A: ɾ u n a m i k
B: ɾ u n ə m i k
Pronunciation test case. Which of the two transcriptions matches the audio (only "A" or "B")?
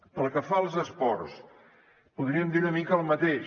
B